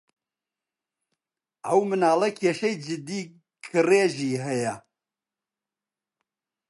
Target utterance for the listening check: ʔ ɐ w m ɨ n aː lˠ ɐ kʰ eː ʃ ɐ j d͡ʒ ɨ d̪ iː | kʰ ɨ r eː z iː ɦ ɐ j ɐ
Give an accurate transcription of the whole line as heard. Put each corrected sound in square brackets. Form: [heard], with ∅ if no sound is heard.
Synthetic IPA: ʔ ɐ w m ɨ n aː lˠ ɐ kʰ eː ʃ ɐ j d͡ʒ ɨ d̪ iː | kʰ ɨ r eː [ʒ] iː ɦ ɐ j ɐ